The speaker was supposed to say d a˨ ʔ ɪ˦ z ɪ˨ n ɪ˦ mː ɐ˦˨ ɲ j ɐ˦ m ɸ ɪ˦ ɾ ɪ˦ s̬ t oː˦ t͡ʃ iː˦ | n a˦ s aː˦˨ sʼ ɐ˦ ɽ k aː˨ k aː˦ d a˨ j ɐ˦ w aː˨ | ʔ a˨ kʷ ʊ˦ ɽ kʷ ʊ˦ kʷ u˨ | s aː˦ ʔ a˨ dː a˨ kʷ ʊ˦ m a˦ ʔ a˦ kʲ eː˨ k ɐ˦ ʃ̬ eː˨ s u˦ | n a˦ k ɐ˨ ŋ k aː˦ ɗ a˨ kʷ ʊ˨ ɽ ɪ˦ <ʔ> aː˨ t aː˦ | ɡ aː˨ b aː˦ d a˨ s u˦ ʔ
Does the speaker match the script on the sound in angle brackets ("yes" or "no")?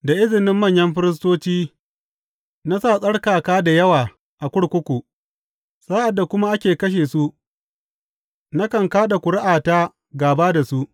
yes